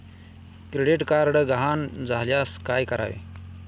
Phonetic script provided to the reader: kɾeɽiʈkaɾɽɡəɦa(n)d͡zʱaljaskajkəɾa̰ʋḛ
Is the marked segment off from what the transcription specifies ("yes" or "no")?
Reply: no